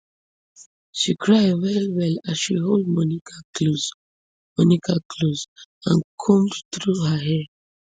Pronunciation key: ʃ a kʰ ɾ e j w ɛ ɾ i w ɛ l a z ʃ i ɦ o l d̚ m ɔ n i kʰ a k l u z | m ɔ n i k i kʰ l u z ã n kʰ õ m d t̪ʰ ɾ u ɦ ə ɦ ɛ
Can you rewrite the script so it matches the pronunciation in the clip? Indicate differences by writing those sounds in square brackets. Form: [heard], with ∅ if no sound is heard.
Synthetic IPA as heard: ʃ [i] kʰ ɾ [a] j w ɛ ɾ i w ɛ l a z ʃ i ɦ o l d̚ m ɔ n i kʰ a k l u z | m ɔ n i k [a] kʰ l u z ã n kʰ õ m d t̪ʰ ɾ u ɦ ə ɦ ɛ